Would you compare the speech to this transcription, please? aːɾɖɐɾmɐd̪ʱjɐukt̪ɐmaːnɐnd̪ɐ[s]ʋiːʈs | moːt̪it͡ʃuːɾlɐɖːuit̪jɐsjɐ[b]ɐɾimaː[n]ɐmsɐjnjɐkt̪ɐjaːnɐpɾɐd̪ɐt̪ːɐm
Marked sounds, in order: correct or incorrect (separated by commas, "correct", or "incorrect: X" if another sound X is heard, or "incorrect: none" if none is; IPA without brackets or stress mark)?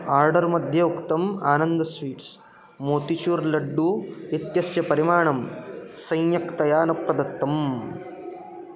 correct, incorrect: p, incorrect: ɳ